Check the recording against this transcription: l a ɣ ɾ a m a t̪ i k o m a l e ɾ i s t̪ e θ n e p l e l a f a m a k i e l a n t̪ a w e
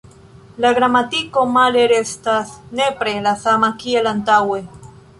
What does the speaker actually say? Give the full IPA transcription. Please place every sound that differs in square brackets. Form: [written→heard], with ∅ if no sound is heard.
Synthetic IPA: l a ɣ ɾ a m a t̪ i k o m a l e ɾ [i→e] s t̪ [e→a] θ n e p [l→ɾ] e l a [f→θ] a m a k i e l a n t̪ a w e